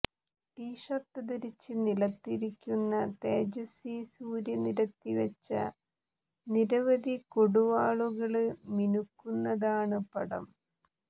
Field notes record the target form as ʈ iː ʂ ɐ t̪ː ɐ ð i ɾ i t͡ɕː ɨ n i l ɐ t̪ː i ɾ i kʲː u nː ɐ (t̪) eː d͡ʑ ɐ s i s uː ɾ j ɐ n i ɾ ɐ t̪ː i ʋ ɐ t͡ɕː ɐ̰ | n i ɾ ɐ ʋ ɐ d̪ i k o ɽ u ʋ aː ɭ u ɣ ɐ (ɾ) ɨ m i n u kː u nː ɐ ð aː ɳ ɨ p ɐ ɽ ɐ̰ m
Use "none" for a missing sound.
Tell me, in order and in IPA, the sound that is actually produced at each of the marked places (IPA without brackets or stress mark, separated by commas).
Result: t̪, ɭ